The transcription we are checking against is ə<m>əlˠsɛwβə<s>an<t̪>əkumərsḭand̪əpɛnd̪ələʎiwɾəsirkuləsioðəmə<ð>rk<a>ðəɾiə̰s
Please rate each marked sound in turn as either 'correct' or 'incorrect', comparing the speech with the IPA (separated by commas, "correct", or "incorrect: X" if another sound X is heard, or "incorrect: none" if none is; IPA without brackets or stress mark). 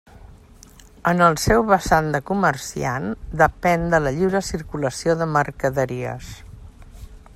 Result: incorrect: n, correct, incorrect: d̪, incorrect: none, incorrect: ə